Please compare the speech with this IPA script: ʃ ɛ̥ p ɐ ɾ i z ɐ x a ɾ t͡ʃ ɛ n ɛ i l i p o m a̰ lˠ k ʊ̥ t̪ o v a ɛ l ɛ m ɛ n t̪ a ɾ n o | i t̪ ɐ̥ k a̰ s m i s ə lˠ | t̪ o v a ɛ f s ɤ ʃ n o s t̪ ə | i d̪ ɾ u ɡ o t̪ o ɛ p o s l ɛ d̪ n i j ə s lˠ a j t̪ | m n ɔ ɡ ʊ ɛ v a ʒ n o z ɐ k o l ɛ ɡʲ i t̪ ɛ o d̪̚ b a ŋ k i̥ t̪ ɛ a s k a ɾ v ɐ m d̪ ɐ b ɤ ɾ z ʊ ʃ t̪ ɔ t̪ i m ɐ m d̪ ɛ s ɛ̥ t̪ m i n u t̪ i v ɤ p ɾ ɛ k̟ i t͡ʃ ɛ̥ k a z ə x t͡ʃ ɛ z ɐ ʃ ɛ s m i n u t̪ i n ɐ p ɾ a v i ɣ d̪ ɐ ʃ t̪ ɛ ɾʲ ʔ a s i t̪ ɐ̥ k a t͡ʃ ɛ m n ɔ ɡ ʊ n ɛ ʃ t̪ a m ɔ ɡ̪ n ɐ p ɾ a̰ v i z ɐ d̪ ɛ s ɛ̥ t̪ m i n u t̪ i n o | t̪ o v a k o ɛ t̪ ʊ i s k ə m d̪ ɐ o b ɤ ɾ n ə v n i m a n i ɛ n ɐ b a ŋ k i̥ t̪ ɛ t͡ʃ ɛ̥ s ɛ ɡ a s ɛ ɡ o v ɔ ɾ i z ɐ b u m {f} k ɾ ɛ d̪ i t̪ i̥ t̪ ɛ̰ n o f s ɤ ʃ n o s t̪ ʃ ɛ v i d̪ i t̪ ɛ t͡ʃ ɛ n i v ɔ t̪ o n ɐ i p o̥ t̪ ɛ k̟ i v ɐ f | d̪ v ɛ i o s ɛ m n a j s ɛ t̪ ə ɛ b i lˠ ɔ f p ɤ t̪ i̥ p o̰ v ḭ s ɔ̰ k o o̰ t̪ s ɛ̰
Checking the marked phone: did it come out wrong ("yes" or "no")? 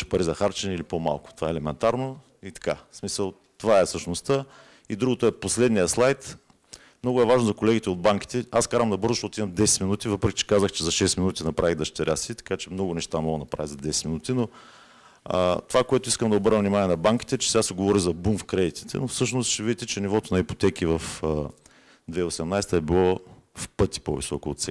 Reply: no